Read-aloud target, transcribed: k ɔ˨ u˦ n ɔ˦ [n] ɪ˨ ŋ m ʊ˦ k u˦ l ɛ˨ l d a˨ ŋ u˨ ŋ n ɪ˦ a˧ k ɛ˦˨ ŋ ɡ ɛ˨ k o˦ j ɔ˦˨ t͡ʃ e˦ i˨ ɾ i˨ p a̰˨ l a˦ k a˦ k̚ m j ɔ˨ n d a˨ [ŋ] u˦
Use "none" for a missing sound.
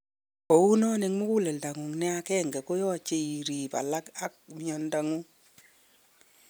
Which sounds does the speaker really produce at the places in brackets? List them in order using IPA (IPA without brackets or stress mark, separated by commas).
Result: n, ŋ